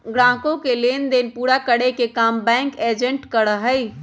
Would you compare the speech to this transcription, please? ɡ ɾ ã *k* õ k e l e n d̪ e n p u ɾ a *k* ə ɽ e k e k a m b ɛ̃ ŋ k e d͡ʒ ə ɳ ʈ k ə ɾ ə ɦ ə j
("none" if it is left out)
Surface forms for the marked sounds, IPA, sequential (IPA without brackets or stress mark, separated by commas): k, k